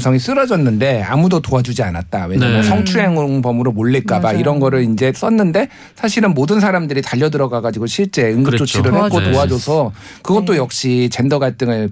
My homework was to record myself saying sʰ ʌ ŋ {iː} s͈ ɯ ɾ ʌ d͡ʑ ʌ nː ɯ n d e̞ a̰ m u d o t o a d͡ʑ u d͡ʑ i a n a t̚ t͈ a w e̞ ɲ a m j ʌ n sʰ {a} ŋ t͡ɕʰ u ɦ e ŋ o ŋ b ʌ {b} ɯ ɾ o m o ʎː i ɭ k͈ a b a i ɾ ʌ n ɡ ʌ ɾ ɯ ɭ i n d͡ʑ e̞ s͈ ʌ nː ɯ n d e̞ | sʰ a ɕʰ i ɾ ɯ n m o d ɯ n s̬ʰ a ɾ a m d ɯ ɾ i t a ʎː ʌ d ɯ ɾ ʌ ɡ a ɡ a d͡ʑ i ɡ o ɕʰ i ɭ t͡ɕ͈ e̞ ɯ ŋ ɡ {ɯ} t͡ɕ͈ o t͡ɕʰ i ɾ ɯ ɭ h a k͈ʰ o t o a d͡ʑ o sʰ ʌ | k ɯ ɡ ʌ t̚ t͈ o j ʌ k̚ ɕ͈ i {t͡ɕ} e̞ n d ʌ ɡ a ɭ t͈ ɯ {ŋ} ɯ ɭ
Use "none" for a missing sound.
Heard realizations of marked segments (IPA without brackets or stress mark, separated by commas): i, ʌ, m, ɯ, t͡ɕ, ŋ